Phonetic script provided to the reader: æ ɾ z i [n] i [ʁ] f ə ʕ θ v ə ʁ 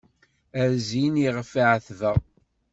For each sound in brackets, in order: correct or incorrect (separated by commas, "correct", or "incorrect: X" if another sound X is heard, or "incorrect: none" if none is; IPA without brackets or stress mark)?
correct, correct